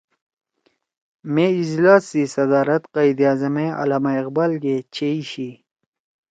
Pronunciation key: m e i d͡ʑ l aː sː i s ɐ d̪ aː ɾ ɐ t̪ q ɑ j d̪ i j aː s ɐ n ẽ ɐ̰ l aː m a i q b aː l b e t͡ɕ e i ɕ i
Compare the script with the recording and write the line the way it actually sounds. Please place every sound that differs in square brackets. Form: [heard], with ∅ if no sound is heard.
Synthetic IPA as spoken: m e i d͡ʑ l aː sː i s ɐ d̪ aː ɾ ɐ t̪ q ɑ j d̪ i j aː [z] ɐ [m] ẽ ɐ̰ l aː m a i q b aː l [ɡ] e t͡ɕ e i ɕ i